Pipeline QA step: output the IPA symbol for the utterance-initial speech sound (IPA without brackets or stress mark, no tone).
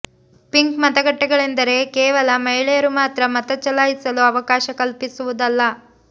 p